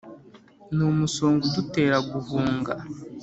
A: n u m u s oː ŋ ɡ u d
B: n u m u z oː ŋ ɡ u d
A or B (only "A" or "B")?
A